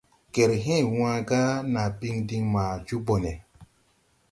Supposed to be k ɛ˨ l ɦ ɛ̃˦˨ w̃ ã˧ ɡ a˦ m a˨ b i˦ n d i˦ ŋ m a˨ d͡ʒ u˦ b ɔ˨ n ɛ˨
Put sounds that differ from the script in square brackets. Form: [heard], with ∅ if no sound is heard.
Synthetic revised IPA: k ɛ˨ [ɾ] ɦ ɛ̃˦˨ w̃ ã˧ ɡ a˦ [n] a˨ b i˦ [ŋ] d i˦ ŋ m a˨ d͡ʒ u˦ b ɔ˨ n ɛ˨